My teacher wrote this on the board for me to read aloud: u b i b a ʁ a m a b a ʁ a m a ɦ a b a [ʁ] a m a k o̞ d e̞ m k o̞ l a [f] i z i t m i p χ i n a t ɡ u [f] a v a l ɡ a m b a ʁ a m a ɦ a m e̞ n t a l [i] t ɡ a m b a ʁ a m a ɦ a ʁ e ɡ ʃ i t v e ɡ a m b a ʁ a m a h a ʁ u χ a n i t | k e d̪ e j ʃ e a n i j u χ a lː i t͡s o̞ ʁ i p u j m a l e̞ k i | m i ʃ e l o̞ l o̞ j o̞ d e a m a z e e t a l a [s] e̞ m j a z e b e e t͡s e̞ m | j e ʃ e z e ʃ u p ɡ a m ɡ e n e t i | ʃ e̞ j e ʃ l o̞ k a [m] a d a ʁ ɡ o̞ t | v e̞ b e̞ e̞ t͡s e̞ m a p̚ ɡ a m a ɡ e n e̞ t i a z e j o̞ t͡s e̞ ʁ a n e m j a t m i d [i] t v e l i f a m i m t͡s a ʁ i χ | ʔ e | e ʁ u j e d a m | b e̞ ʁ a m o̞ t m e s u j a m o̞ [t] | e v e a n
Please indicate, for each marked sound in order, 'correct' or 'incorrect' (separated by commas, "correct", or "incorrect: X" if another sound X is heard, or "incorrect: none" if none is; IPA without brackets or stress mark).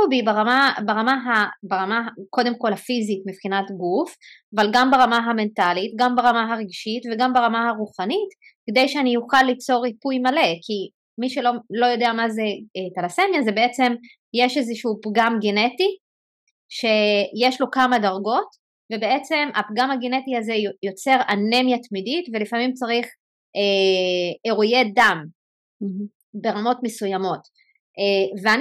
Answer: correct, correct, correct, correct, correct, correct, correct, correct